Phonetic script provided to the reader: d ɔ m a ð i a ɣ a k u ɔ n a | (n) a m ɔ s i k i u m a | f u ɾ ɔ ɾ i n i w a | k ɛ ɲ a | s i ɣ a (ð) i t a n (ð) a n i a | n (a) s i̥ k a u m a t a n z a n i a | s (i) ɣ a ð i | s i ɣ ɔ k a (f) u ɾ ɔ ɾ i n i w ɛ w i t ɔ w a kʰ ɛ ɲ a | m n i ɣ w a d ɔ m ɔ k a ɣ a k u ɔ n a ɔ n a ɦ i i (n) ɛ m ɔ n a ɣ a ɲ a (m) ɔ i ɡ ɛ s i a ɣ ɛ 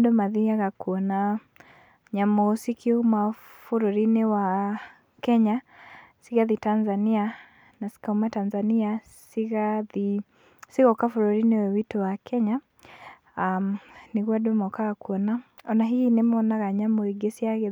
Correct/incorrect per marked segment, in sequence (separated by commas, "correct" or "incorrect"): incorrect, correct, incorrect, correct, correct, correct, correct, correct